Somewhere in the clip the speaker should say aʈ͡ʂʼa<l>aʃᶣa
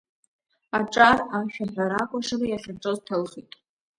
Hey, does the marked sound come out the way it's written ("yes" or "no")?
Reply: no